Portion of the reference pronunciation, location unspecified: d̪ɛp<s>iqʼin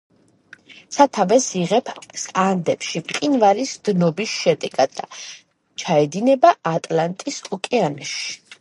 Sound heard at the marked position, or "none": ʃ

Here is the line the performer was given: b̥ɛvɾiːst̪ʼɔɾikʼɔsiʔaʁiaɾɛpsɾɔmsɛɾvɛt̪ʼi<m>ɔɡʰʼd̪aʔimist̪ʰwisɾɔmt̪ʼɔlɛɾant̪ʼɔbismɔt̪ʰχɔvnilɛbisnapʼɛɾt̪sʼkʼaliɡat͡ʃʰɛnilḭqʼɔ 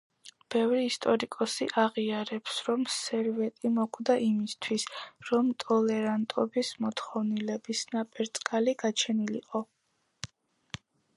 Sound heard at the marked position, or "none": m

